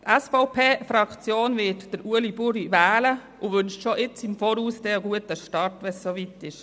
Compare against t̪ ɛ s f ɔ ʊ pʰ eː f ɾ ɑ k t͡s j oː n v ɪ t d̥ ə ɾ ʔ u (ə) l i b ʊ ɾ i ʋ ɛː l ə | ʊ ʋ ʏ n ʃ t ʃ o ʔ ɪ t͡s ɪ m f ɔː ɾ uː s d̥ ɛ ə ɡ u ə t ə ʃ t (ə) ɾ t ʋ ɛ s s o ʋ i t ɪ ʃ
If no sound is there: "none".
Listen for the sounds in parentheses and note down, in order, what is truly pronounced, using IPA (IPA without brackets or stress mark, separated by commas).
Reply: ə, ɑ